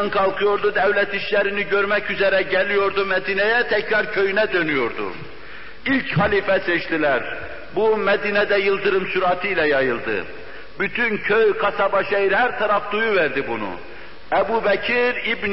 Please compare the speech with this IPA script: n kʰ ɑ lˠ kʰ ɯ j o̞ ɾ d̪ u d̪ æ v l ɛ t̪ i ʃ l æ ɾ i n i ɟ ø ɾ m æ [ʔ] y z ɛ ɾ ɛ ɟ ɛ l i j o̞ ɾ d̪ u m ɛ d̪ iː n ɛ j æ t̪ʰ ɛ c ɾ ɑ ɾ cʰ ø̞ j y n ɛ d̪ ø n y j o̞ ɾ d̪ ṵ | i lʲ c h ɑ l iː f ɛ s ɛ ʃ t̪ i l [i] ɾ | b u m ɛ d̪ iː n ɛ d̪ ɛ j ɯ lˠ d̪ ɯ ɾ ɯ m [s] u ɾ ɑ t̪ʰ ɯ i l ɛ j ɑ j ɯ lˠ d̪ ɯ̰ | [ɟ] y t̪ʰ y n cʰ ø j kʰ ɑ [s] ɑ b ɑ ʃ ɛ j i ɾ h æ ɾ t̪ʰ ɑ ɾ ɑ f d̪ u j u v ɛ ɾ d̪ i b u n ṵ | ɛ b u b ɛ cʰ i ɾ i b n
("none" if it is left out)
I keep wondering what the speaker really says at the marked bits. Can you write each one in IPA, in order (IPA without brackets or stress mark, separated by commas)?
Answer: c, æ, s, b, s